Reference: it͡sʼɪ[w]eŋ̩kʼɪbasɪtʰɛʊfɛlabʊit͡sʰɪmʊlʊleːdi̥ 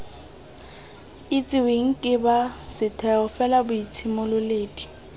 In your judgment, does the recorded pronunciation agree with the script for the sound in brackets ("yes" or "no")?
yes